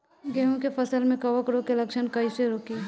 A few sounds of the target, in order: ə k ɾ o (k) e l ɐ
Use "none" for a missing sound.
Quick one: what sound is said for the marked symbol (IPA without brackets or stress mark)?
k